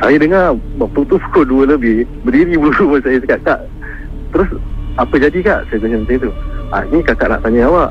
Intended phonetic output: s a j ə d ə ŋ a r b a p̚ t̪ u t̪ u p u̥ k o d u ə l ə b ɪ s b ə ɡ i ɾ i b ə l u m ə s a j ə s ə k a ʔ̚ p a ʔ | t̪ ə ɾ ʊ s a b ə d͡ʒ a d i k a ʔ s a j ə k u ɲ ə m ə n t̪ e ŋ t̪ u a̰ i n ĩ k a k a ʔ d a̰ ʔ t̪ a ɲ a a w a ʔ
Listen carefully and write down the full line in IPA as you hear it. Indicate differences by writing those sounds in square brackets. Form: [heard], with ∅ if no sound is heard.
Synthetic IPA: s a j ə d ə ŋ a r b a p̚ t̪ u t̪ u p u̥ k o d u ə l ə b ɪ [h] b ə [d] i ɾ i b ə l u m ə s a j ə s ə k a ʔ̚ [k] a ʔ | t̪ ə ɾ ʊ s a [p] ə d͡ʒ a d i k a ʔ s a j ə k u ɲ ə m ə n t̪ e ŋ t̪ u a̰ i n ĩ k a k a ʔ [n] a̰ ʔ t̪ a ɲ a a w a ʔ